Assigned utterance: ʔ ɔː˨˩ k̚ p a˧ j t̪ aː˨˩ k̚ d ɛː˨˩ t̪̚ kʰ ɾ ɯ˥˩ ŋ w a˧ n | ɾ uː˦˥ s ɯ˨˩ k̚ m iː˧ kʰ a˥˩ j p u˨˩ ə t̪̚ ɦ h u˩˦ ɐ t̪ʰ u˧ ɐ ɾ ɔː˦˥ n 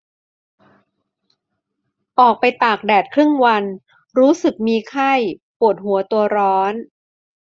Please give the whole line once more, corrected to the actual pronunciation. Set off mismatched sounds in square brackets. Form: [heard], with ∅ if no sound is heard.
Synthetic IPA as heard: ʔ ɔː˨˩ k̚ p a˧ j t̪ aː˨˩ k̚ d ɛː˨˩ t̪̚ kʰ ɾ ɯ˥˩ ŋ w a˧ n | ɾ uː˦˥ s ɯ˨˩ k̚ m iː˧ kʰ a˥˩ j p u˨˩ ə t̪̚ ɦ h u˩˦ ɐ [t̪] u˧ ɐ ɾ ɔː˦˥ n